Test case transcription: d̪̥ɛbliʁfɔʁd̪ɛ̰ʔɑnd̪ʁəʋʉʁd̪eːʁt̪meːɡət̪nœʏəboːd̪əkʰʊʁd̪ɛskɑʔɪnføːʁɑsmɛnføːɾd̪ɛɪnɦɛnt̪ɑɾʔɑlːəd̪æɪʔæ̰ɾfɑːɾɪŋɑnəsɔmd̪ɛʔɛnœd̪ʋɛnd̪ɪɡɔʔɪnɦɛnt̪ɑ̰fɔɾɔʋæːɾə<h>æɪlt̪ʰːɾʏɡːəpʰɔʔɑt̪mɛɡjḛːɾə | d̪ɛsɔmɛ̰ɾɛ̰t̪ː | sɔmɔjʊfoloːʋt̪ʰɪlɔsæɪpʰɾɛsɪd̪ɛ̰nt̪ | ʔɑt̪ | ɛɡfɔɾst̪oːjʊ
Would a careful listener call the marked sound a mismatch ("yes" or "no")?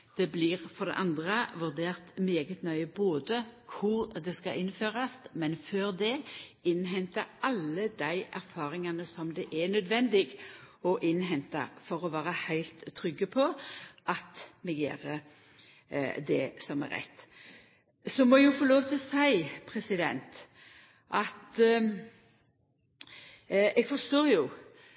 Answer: no